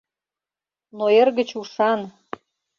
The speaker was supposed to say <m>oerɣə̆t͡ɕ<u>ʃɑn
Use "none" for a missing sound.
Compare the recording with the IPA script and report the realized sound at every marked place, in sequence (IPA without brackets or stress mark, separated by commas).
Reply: n, u